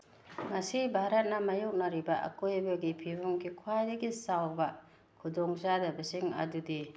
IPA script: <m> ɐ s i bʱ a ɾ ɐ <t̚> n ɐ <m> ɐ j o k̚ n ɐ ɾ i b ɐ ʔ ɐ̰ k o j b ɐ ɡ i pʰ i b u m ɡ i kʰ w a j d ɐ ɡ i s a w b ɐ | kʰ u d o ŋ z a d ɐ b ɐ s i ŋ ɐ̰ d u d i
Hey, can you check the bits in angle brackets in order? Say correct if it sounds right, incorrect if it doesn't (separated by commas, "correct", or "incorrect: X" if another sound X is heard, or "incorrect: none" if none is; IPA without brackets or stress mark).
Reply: incorrect: ŋ, correct, correct